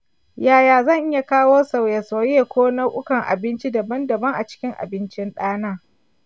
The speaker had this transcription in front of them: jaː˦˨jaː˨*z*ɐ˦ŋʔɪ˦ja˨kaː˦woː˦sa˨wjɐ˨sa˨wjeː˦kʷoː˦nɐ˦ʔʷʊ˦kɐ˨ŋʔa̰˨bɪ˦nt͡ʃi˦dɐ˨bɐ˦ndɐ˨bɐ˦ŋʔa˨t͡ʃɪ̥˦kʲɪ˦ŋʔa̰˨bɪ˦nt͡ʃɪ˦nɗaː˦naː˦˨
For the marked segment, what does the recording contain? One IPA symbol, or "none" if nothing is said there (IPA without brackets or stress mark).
z